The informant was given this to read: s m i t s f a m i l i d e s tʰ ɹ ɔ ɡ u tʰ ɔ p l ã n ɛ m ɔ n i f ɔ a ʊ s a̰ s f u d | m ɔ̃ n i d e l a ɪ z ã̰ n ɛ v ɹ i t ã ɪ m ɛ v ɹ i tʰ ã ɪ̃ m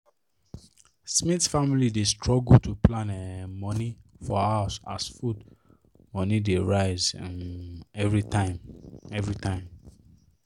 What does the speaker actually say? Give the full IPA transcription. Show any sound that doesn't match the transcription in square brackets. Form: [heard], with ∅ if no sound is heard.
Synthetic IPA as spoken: s m i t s f a m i l i d e s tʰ ɹ ɔ ɡ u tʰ [u] p l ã n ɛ m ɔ n i f ɔ a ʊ s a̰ s f u d | m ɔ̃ n i d e [ɹ] a ɪ z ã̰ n ɛ v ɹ i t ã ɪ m ɛ v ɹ i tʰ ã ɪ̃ m